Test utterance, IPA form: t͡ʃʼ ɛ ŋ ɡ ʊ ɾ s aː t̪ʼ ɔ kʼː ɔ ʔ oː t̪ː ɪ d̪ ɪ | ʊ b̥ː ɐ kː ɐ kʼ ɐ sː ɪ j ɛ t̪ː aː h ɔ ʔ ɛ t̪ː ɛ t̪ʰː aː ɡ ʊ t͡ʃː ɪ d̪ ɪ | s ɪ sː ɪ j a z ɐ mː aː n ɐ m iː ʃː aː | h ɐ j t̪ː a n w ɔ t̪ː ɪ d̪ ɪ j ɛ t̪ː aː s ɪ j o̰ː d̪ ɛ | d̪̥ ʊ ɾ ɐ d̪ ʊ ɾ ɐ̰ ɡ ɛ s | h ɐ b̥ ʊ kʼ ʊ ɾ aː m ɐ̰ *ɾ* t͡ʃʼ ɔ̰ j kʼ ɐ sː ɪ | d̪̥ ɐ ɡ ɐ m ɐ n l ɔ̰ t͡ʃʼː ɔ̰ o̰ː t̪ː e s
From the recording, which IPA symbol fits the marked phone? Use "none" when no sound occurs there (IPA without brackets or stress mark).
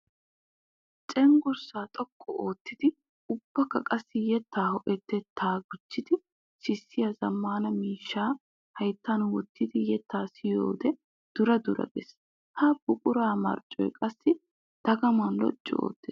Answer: ɾ